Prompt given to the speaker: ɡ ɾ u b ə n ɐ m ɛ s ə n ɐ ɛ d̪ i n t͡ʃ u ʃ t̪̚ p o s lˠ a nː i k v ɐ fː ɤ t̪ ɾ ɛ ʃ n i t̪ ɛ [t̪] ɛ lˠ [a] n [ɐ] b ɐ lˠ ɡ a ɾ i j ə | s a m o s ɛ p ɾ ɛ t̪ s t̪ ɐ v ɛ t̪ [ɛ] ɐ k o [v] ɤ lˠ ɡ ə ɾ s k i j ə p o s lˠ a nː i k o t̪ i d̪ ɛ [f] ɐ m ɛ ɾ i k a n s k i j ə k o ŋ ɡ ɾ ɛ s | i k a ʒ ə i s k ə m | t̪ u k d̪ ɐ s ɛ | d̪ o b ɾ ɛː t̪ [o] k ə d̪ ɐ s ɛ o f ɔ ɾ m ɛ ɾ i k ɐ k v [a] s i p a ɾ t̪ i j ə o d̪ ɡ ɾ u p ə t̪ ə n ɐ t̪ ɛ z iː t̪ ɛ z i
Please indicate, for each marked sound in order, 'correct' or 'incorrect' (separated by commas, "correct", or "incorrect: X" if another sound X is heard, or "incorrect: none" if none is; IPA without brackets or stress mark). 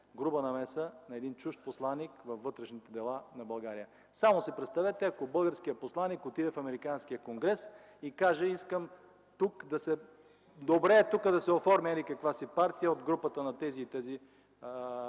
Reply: incorrect: d̪, correct, correct, correct, incorrect: b, correct, incorrect: u, correct